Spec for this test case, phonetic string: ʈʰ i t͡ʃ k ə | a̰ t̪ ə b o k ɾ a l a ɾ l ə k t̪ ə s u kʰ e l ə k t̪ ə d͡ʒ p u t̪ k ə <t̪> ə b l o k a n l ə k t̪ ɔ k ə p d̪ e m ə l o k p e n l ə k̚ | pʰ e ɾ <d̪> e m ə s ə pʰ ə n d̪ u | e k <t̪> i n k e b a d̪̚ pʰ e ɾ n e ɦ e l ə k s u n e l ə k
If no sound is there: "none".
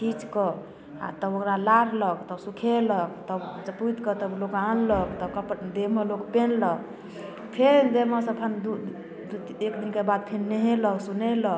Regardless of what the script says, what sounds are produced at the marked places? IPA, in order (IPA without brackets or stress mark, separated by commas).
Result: t̪, d̪, d̪